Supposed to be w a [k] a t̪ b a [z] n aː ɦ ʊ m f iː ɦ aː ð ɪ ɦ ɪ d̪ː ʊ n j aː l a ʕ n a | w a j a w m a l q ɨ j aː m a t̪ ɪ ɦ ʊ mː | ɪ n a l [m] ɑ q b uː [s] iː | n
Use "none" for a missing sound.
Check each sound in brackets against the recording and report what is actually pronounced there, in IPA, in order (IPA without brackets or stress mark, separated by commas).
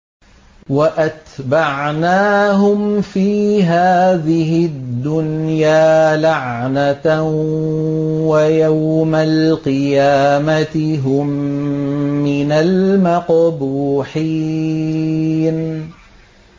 ʔ, ʕ, m, ħ